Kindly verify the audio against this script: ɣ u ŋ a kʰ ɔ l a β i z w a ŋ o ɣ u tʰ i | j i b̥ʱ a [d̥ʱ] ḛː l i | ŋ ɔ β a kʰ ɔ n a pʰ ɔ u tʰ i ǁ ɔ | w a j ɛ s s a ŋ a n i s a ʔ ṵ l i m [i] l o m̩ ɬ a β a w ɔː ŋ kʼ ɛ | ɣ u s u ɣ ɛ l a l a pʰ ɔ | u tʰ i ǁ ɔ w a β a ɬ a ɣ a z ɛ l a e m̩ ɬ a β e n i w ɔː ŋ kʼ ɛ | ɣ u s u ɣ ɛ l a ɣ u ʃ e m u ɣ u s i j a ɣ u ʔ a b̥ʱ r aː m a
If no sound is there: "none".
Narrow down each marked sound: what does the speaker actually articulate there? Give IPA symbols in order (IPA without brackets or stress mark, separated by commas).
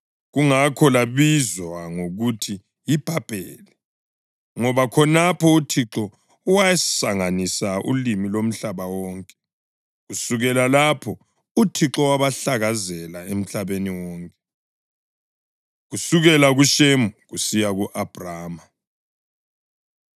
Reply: b̥ʱ, i